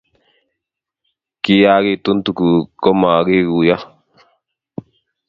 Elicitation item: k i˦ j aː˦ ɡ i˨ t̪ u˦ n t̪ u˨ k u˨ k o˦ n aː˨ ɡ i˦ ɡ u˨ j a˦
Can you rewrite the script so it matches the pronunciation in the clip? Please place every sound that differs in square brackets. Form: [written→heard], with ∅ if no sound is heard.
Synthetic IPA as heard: k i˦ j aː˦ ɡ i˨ t̪ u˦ n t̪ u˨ k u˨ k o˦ [n→m] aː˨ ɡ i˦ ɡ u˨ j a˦